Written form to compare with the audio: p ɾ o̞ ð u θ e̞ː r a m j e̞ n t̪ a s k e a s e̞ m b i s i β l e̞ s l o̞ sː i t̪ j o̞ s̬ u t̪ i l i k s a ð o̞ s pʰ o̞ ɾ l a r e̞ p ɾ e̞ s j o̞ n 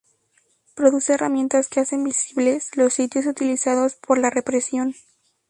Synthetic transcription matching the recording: p ɾ o̞ ð u s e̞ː r a m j e̞ n t̪ a s k e a s e̞ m b i s i β l e̞ s l o̞ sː i t̪ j o̞ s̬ u t̪ i l i s a ð o̞ s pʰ o̞ ɾ l a r e̞ p ɾ e̞ s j o̞ n